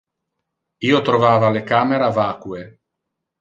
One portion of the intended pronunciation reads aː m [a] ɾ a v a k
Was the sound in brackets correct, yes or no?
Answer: no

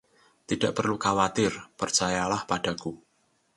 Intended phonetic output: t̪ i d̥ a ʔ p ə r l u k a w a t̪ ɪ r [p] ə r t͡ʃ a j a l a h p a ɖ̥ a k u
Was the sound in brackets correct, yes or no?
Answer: yes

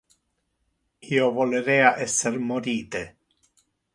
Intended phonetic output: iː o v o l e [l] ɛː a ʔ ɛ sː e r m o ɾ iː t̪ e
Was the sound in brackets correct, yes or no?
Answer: no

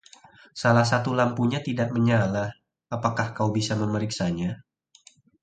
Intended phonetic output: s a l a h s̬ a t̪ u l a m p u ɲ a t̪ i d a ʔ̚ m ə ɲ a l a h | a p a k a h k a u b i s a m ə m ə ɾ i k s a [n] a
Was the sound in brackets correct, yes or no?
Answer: no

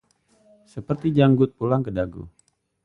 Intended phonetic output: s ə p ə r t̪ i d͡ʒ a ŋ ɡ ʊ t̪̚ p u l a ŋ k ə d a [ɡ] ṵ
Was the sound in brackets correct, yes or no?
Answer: yes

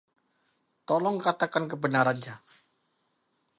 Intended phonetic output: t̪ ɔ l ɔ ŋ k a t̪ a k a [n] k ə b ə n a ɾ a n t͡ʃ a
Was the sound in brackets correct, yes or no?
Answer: yes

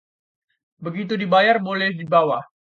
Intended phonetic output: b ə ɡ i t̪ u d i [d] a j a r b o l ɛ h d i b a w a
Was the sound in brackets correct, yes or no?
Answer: no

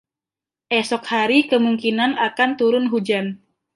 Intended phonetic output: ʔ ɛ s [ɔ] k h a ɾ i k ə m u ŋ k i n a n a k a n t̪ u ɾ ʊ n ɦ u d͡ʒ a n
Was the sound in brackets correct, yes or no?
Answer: yes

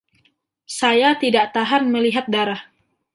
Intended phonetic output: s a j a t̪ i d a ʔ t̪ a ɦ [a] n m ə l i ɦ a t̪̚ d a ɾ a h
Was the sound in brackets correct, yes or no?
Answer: yes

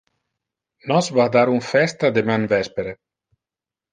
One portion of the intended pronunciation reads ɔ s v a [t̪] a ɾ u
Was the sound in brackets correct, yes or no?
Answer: no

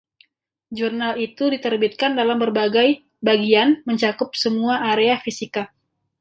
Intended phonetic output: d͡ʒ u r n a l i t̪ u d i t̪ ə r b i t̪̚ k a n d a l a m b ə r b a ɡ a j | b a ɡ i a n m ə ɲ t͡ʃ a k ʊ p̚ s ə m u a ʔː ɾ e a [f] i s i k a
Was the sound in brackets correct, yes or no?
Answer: yes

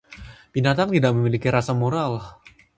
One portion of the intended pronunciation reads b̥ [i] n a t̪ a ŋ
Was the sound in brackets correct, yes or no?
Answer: yes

